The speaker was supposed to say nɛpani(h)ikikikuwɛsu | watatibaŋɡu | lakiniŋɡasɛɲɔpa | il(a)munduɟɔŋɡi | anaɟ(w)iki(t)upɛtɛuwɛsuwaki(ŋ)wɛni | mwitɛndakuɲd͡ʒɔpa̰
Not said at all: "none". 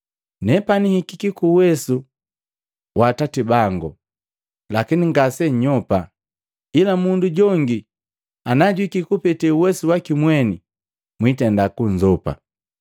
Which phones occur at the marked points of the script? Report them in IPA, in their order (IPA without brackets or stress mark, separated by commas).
h, a, w, k, m